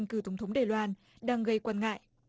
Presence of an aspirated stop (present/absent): present